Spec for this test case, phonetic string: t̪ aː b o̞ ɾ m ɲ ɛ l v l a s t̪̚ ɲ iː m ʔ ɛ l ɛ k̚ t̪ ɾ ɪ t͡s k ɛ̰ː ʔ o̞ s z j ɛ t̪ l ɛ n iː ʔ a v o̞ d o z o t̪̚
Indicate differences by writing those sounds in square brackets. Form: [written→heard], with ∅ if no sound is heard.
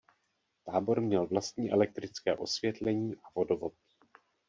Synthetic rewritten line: t̪ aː b o̞ ɾ m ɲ ɛ l v l a s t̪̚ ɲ iː [m→∅] ʔ ɛ l ɛ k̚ t̪ ɾ ɪ t͡s k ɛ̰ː ʔ o̞ s [z→v] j ɛ t̪ l ɛ [n→ɲ] iː ʔ a v o̞ d o [z→v] o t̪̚